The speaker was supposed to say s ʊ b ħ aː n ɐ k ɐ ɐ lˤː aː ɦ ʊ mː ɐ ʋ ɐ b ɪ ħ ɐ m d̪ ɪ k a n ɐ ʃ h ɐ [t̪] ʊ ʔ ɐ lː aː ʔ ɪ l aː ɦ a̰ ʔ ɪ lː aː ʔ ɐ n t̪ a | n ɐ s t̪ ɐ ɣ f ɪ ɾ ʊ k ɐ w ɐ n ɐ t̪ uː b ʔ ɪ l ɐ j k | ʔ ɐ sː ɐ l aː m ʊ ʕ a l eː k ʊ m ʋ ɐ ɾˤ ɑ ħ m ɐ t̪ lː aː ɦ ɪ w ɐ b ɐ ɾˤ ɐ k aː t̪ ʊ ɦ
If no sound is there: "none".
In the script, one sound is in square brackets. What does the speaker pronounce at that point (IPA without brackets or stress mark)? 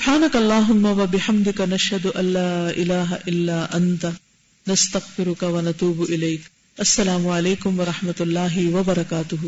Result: d̪